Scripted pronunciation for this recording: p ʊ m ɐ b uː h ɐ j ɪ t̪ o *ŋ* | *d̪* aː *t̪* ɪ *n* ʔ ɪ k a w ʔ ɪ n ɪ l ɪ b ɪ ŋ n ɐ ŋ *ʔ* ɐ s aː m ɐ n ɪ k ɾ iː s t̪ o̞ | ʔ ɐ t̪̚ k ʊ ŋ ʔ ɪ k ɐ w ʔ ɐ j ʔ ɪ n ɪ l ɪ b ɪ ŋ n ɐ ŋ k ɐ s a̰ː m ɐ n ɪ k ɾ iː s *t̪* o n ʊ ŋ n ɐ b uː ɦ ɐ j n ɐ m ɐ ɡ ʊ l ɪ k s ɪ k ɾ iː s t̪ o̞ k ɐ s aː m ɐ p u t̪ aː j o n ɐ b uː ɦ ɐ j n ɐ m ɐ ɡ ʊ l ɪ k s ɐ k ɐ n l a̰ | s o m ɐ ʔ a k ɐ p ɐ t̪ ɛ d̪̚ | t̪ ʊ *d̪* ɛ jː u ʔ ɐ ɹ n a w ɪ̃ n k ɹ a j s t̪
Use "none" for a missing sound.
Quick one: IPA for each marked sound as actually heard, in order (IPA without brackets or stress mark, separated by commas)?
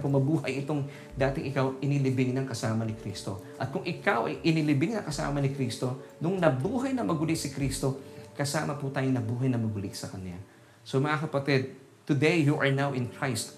ŋ, d̪, t̪, ŋ, k, t̪, d̪